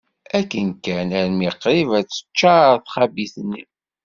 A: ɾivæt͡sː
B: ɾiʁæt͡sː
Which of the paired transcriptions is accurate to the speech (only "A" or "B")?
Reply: A